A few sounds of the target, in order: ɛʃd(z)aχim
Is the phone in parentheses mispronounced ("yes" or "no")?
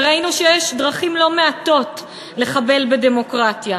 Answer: yes